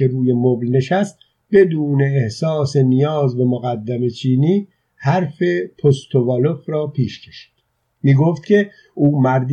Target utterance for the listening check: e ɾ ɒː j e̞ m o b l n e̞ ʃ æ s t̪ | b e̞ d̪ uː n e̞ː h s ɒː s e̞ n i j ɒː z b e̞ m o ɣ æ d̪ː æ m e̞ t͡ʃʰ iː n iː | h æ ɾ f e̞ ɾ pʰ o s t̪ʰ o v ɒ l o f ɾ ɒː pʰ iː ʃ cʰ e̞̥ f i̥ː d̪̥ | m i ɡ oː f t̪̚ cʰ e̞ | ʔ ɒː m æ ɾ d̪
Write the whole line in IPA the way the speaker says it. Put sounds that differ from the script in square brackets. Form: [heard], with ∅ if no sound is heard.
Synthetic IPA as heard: e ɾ [uː] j e̞ m o b l n e̞ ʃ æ s t̪ | b e̞ d̪ uː n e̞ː h s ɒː s e̞ n i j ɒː z b e̞ m o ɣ æ d̪ː æ m e̞ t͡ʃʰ iː n iː | h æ ɾ f e̞ [∅] pʰ o s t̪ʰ o v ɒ l o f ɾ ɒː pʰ iː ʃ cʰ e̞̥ [ʃ] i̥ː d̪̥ | m [iː] ɡ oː f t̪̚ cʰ e̞ | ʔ [uː] m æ ɾ d̪